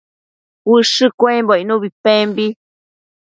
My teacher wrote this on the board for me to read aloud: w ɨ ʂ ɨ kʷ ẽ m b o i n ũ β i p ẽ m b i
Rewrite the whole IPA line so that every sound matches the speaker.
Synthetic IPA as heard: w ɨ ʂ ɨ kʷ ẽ m b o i n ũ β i p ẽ m b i

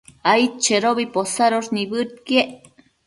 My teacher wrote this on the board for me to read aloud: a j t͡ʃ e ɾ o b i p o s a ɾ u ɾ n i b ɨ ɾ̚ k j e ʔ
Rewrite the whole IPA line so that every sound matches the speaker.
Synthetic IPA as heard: a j t͡ʃ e ɾ o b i p o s a ɾ o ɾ n i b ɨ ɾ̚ k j e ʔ

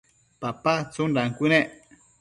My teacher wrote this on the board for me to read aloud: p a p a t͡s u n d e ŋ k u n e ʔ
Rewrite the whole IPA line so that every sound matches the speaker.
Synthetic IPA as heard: p a p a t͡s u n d a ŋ k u n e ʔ

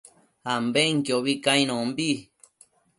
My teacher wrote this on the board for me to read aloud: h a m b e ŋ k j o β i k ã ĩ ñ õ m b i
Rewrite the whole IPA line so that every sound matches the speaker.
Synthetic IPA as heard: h a m b e ŋ k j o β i k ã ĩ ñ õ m b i

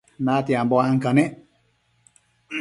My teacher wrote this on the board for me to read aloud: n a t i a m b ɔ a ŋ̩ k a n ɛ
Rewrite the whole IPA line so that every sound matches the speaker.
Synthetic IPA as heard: n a t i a m b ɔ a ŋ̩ k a n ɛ

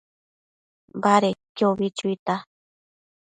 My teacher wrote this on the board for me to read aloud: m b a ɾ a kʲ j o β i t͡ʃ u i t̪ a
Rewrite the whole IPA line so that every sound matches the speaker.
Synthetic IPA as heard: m b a ɾ e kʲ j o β i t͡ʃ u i t̪ a

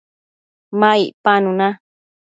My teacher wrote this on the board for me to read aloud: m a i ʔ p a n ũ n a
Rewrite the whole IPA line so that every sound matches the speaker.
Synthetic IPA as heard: m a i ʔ p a n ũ n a

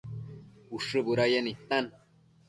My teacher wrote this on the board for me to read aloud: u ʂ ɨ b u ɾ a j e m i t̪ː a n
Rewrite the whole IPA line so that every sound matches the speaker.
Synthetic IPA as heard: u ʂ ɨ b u ɾ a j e n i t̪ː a n

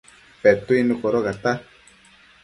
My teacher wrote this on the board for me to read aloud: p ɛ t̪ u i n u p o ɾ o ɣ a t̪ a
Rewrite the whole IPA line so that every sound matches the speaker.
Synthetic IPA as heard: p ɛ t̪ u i n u k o ɾ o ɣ a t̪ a

